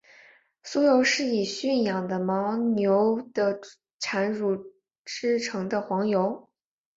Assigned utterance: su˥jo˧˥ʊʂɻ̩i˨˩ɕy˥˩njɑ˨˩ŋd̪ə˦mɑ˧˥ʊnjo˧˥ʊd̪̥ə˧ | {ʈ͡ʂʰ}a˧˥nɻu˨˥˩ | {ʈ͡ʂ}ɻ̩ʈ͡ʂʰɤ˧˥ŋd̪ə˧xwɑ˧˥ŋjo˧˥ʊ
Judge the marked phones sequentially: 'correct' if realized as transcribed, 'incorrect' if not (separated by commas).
correct, correct